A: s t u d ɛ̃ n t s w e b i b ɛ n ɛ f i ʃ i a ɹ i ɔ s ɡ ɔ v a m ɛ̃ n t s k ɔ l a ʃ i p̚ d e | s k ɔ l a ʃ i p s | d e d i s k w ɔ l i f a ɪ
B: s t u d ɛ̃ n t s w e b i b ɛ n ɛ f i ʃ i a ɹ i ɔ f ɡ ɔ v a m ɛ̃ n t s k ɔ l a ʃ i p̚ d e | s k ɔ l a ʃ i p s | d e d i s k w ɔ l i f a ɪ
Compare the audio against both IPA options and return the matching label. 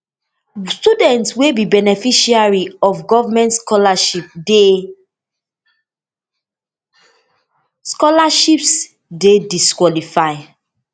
B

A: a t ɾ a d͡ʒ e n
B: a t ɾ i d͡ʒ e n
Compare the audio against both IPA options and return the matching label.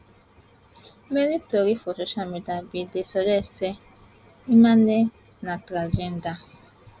A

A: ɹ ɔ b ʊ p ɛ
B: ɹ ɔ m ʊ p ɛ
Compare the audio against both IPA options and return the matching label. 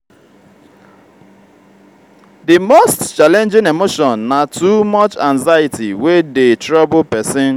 A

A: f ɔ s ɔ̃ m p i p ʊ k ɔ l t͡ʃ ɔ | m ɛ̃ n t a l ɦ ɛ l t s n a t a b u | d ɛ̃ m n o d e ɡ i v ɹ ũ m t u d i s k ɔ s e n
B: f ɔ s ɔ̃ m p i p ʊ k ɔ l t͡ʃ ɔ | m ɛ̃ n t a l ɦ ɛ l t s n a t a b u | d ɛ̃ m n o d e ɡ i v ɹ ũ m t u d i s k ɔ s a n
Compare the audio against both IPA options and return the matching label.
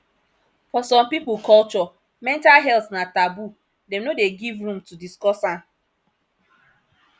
B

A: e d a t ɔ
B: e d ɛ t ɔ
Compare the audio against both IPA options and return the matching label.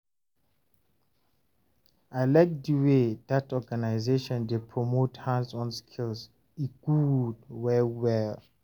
A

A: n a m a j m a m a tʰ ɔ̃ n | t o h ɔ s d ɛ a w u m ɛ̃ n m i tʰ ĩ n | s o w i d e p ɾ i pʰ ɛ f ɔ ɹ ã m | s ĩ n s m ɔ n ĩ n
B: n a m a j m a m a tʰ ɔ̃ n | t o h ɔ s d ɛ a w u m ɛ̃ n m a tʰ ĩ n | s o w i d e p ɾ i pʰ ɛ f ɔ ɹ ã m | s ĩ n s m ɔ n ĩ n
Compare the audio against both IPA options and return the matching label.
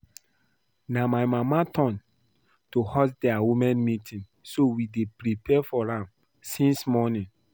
A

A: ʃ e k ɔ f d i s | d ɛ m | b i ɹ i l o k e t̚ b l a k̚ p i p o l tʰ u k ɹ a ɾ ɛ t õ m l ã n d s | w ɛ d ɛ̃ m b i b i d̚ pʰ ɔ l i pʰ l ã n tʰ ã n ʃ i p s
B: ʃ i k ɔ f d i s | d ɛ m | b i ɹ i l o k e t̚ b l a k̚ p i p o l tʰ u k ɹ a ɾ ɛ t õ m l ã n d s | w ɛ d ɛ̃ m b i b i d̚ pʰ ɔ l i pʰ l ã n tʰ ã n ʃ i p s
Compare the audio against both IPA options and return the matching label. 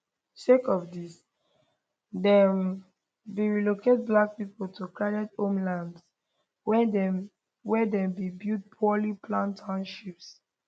A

